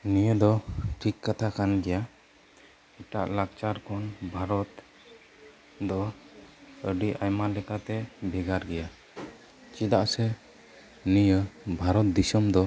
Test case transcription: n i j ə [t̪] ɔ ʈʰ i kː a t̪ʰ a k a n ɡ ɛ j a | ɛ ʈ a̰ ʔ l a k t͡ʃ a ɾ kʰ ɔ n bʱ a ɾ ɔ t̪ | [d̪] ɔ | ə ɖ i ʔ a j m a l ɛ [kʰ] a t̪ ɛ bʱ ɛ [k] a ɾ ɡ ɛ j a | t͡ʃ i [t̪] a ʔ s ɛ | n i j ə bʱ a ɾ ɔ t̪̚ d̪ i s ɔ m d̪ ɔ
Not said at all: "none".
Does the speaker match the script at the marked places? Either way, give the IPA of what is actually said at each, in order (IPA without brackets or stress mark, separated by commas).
d̪, d̪, k, ɡ, d̪